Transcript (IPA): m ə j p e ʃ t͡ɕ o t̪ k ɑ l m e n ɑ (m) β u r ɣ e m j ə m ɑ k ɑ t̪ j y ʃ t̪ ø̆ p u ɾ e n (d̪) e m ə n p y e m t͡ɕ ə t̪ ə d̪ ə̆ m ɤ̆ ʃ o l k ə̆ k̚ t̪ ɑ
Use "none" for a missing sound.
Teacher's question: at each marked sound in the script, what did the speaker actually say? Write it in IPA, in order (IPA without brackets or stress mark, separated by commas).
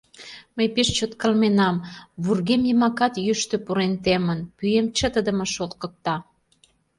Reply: m, t̪